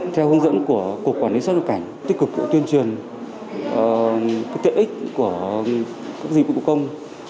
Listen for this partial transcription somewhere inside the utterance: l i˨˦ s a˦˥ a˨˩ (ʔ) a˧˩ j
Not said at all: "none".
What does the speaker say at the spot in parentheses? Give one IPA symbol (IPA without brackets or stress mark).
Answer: k